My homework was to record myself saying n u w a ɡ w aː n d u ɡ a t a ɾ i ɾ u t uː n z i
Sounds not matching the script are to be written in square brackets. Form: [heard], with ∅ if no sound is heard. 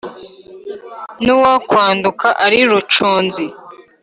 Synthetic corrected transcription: n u w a [k] w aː n d u [k] a [ʔ] a ɾ i ɾ u [t͡ʃ] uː n z i